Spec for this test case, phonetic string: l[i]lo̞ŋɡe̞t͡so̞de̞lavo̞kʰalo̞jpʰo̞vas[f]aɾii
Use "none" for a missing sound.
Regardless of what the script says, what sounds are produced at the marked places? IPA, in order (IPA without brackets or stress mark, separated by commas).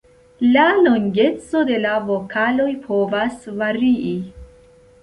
a, v